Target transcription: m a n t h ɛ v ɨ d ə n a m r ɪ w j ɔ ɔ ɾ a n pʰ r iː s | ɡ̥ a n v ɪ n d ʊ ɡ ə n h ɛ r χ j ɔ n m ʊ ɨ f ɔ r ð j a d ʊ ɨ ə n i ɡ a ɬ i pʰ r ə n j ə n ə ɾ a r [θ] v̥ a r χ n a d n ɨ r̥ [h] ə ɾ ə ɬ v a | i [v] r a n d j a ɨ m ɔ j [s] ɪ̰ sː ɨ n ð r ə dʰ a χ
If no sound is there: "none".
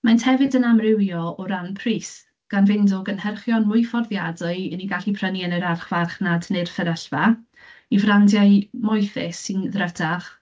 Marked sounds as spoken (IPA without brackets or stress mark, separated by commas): χ, f, v, θ